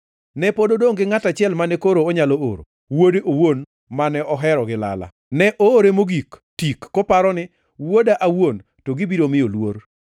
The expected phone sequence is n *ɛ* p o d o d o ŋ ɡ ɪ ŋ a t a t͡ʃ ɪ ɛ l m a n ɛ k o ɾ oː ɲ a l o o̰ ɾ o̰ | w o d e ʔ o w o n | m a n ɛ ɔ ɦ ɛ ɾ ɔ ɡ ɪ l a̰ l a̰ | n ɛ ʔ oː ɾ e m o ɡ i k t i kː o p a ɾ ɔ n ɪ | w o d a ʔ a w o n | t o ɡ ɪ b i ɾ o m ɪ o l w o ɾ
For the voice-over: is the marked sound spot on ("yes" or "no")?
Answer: yes